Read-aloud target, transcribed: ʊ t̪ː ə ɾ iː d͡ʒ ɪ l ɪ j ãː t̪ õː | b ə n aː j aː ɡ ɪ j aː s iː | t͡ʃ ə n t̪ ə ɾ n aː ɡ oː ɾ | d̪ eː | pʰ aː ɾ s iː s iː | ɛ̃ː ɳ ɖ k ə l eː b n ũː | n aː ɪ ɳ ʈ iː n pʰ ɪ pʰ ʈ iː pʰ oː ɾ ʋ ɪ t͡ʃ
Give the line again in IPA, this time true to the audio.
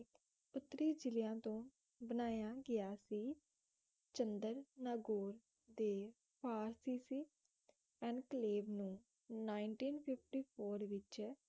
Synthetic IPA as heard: ʊ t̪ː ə ɾ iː d͡ʒ ɪ l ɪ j ãː t̪ õː | b ə n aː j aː ɡ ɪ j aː s iː | t͡ʃ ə n d̪ ə ɾ n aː ɡ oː ɾ | d̪ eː | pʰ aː ɾ s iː s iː | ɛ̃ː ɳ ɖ k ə l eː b n ũː | n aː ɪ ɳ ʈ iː n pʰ ɪ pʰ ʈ iː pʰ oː ɾ ʋ ɪ t͡ʃ

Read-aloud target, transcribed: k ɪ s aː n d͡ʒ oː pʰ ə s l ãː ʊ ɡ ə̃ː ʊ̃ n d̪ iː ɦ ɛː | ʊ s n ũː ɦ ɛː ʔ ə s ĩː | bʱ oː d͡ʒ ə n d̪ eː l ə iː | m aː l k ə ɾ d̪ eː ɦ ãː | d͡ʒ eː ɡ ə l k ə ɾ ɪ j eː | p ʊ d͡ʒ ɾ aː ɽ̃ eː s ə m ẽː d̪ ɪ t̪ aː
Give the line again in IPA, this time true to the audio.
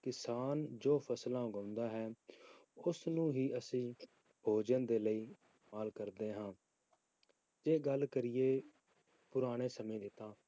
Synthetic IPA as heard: k ɪ s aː n d͡ʒ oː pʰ ə s l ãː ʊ ɡ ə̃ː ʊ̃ n d̪ aː ɦ ɛː | ʊ s n ũː ɦ iː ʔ ə s ĩː | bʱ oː d͡ʒ ə n d̪ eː l ə iː | m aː l k ə ɾ d̪ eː ɦ ãː | d͡ʒ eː ɡ ə l k ə ɾ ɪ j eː | p ʊ ɾ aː ɽ̃ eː s ə m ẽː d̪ ɪ t̪ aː

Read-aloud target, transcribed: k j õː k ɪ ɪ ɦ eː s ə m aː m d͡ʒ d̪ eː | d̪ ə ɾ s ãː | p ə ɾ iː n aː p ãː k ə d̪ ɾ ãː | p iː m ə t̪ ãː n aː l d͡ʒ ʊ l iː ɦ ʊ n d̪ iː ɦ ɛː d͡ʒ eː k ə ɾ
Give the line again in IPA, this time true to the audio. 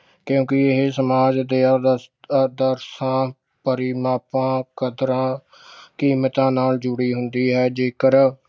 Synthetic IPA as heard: k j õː k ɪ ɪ ɦ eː s ə m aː d͡ʒ d̪ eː | d̪ ə ɾ s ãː | p ə ɾ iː m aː p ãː k ə d̪ ɾ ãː | k iː m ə t̪ ãː n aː l d͡ʒ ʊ ɽ iː ɦ ʊ n d̪ iː ɦ ɛː d͡ʒ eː k ə ɾ

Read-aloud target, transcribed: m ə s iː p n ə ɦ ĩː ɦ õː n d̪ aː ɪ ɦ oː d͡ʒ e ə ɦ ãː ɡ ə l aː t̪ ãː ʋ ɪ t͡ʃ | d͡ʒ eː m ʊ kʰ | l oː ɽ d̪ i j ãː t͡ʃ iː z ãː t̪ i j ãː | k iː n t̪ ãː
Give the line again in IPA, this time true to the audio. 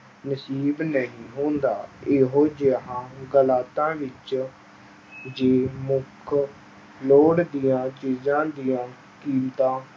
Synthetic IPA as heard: n ə s iː b n ə ɦ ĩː ɦ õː n d̪ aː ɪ ɦ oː d͡ʒ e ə ɦ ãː ɡ ə l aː t̪ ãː ʋ ɪ t͡ʃ | d͡ʒ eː m ʊ kʰ | l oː ɽ d̪ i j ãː t͡ʃ iː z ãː d̪ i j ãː | k iː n t̪ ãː

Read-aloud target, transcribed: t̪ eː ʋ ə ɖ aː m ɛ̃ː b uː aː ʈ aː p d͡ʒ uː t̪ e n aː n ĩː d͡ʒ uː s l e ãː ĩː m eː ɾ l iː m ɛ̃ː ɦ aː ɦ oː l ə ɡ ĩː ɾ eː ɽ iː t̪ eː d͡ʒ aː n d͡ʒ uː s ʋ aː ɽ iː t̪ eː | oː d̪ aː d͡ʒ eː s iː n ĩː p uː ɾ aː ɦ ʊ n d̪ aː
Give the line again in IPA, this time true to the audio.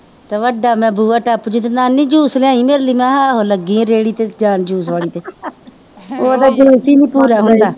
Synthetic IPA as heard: t̪ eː ʋ ə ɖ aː m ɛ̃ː b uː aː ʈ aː p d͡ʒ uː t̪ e n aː n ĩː d͡ʒ uː s l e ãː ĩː m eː ɾ l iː m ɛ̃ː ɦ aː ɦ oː l ə ɡ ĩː ɾ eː ɽ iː t̪ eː d͡ʒ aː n d͡ʒ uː s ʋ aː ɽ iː t̪ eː | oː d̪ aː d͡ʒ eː s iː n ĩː p uː ɾ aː ɦ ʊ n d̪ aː

